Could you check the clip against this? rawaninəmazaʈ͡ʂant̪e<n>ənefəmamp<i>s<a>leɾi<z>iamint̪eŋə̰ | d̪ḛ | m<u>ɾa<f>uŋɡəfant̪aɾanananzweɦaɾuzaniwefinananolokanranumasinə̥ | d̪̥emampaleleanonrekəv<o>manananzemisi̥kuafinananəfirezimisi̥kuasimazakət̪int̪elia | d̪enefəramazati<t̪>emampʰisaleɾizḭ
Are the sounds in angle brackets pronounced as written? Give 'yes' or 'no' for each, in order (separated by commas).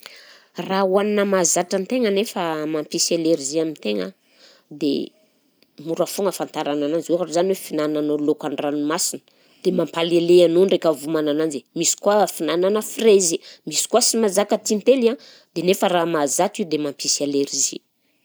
no, yes, yes, yes, yes, yes, no, no